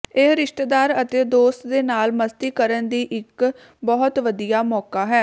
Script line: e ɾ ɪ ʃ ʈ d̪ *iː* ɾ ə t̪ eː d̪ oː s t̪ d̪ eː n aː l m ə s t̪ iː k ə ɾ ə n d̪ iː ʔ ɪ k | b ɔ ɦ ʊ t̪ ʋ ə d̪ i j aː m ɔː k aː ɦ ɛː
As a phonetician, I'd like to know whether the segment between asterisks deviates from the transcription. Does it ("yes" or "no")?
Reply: yes